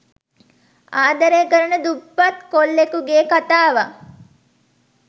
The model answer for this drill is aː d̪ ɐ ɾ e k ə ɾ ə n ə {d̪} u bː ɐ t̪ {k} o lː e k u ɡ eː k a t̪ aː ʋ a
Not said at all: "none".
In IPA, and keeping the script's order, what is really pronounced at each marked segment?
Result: d̪, k

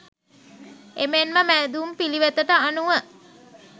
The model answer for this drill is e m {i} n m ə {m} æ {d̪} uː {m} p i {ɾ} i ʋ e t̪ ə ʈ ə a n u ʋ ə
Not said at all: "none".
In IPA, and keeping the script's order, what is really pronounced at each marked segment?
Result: e, m, d̪, m, l

